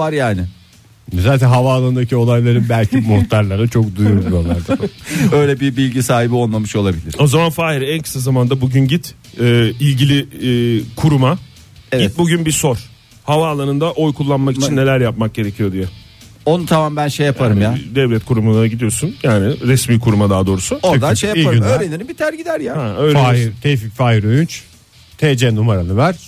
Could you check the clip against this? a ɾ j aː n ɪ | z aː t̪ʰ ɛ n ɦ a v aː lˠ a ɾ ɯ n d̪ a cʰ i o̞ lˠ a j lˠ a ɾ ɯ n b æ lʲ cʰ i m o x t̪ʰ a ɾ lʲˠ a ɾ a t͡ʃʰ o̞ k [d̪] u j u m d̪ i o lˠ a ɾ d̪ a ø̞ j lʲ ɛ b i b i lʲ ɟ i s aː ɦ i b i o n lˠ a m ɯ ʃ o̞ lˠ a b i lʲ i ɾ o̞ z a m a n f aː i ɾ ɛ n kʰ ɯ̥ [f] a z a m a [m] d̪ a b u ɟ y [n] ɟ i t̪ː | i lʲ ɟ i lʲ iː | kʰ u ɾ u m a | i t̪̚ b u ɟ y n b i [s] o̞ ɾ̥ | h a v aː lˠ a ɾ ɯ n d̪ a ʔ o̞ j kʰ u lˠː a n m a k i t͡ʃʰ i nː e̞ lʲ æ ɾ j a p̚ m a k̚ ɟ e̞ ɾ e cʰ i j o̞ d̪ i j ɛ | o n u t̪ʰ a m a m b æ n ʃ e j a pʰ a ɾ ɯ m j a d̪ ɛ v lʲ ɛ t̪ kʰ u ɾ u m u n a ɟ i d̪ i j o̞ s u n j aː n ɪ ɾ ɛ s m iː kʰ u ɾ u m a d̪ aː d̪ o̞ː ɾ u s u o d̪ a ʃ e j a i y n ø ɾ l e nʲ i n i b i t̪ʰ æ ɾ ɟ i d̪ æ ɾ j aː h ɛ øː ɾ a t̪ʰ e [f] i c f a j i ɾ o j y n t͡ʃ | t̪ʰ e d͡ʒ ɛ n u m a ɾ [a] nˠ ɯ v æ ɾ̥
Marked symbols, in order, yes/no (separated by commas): yes, no, no, yes, yes, yes, yes